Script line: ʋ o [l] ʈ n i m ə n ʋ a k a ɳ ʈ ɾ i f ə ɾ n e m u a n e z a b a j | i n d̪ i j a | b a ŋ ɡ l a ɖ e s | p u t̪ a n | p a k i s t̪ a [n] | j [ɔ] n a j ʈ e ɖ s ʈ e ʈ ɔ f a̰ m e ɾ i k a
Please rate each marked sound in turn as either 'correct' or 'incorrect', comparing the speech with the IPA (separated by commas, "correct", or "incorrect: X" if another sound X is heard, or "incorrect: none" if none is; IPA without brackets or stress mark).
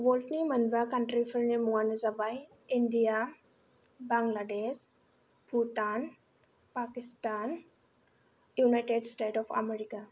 correct, correct, incorrect: u